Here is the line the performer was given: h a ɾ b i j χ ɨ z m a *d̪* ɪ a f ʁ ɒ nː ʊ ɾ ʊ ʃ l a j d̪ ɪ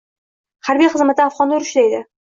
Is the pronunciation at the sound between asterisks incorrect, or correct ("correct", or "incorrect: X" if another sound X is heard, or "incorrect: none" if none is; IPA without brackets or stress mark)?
incorrect: t̪